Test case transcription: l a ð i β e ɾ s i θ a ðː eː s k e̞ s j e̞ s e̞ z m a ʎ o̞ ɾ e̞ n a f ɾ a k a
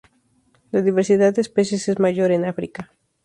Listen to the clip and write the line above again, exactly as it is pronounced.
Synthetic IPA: l a ð i β e ɾ s i ð a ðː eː s p e̞ s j e̞ s e̞ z m a ʝ o̞ ɾ e̞ n a f ɾ i k a